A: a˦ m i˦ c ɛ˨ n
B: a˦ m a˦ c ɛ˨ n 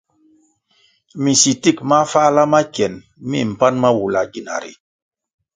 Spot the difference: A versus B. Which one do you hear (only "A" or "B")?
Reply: B